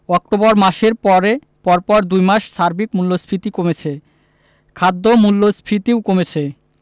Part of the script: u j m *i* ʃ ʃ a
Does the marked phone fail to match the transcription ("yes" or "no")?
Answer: yes